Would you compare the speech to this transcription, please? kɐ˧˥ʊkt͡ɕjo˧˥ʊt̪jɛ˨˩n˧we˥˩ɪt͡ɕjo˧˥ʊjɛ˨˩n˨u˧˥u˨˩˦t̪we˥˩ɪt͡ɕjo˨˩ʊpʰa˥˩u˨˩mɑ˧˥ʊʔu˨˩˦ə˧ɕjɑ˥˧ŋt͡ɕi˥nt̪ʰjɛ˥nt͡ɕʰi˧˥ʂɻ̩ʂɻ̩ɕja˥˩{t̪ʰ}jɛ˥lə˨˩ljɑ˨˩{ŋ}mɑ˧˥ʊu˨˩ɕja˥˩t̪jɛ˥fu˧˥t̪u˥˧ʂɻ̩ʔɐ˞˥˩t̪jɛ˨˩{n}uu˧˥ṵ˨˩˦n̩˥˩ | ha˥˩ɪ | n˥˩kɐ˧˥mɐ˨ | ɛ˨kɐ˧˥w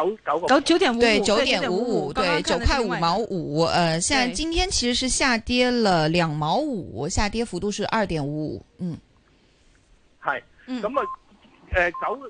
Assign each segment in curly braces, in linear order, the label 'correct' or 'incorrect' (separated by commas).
incorrect, correct, correct